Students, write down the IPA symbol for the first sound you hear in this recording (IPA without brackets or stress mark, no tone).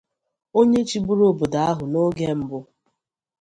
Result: o